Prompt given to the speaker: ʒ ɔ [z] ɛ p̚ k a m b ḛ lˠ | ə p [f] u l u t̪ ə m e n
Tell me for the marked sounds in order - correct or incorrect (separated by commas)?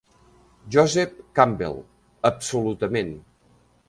correct, incorrect